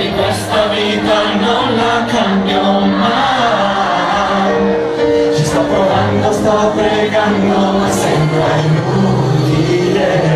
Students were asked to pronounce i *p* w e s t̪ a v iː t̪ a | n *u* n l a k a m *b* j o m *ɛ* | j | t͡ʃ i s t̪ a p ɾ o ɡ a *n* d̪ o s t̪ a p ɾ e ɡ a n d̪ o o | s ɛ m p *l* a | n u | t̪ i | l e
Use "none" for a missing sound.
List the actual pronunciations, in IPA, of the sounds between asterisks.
k, o, b, a, n, ɾ

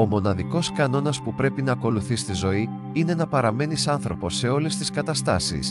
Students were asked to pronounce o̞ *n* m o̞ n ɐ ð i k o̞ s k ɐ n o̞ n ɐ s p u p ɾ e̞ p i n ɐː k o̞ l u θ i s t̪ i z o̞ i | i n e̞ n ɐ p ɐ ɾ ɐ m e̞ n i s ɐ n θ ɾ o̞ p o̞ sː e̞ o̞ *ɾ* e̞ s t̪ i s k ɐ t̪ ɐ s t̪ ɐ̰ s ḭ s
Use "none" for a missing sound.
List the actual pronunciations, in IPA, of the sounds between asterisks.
none, l

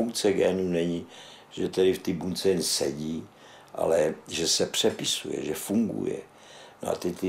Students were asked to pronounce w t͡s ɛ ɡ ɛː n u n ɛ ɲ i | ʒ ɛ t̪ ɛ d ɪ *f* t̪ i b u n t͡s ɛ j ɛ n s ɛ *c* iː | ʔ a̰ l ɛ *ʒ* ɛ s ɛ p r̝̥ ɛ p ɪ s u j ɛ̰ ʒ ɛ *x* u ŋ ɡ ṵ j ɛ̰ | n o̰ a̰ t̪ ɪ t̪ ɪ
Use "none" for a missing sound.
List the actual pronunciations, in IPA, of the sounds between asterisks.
f, ɟ, ʒ, f

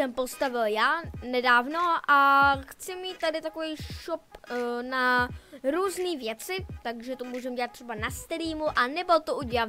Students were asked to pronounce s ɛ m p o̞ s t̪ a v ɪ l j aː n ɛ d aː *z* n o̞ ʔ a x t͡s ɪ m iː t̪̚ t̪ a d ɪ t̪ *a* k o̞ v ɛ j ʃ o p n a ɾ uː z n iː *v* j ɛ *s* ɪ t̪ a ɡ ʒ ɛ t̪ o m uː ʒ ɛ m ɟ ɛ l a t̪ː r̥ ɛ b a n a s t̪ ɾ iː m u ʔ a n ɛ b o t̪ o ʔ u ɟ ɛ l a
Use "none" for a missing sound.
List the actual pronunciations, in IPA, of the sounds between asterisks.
v, a, v, t͡s

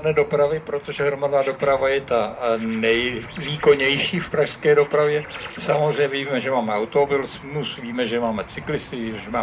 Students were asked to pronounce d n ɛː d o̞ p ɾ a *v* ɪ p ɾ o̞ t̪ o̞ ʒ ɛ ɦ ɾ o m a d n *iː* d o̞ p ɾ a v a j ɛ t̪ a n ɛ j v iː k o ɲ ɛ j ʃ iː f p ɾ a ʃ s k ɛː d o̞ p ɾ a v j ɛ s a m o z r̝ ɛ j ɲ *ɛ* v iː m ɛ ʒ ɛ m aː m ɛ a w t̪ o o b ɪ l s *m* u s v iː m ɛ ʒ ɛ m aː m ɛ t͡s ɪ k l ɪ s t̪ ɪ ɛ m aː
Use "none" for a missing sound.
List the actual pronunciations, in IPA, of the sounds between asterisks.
v, aː, ɛ, m

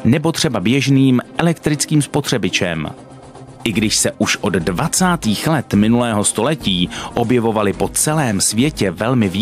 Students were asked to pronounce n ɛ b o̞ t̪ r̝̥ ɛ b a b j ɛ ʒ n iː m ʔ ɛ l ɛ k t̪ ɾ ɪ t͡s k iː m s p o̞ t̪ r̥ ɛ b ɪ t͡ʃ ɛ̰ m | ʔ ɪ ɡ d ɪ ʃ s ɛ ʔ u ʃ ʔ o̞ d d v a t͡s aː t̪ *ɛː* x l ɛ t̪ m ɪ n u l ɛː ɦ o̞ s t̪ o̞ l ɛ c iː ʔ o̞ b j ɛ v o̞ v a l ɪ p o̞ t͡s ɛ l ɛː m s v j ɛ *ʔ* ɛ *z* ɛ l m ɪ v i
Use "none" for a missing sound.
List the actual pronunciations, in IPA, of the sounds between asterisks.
iː, c, v

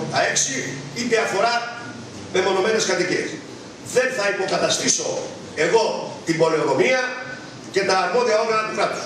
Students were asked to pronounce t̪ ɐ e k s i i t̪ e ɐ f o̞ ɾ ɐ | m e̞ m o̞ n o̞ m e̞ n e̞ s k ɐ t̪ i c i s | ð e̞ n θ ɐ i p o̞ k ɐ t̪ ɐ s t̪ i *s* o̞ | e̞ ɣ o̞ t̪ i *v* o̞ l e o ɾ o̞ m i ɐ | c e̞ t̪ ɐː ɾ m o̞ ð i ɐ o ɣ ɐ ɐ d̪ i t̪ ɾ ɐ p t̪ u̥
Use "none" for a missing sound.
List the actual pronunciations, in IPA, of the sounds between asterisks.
s, b

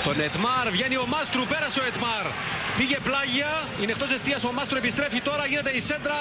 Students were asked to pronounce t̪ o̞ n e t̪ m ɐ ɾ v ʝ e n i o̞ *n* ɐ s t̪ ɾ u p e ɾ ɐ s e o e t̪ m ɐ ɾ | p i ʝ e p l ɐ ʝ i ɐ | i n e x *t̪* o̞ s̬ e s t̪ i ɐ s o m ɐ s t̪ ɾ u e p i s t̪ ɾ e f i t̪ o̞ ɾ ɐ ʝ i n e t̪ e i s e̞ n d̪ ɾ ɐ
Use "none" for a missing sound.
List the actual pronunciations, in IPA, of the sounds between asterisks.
m, t̪

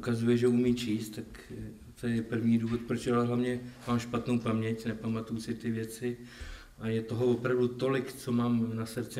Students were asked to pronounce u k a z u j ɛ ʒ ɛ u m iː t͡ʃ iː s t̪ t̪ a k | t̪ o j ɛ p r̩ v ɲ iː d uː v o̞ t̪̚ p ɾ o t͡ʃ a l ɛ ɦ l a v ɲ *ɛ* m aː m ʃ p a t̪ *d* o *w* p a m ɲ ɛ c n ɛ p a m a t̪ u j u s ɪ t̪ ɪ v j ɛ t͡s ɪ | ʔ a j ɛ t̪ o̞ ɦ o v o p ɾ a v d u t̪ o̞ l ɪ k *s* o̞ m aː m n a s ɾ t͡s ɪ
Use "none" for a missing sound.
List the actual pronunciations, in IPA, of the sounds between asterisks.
ɛ, n, w, t͡s

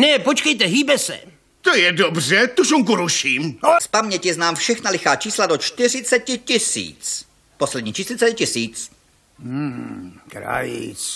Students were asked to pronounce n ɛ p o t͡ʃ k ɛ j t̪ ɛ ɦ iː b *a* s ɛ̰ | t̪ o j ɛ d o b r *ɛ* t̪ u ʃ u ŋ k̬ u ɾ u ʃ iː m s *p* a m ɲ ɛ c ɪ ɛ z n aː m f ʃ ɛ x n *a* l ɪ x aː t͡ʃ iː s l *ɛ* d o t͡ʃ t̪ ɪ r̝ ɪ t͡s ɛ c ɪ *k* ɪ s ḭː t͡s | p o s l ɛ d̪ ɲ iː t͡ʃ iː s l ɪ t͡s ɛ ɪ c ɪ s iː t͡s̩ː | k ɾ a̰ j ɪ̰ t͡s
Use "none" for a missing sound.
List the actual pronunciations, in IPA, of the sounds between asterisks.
ɛ, ɛ, p, a, a, c

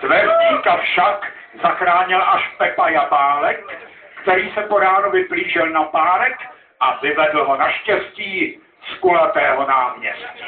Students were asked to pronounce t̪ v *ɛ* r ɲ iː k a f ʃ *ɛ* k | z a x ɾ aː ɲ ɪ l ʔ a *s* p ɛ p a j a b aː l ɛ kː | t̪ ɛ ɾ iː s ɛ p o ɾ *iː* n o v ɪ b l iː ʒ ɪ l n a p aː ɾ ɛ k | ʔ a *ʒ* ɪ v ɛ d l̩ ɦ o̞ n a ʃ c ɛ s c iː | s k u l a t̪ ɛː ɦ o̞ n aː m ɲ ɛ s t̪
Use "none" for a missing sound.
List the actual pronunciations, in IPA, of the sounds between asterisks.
ɛ, a, ʃ, aː, v

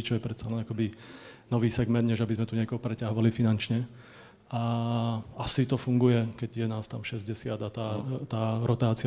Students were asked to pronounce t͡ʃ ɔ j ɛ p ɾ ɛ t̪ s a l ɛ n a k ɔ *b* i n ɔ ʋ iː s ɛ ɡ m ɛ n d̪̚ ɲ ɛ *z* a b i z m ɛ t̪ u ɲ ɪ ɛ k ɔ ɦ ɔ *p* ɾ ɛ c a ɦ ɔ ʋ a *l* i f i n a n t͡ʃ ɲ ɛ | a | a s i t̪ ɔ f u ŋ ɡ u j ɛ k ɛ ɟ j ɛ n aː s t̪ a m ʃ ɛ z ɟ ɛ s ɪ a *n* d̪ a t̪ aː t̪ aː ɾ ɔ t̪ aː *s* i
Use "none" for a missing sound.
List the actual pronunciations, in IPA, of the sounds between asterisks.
b, ʒ, p, l, none, t͡s

